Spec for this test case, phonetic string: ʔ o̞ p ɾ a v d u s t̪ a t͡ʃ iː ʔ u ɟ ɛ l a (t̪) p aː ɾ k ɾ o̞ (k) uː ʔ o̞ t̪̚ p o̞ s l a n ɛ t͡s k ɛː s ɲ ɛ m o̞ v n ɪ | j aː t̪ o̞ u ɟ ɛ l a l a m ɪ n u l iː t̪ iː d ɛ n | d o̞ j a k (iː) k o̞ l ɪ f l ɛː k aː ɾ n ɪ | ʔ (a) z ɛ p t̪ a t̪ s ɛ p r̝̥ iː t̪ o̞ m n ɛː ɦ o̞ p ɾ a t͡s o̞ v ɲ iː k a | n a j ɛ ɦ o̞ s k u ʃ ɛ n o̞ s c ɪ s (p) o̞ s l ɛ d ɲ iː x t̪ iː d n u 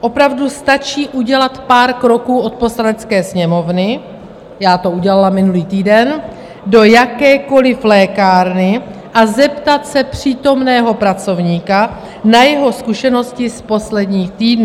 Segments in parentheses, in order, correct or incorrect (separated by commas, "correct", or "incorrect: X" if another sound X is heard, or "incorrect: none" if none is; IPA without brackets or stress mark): correct, correct, incorrect: ɛː, correct, correct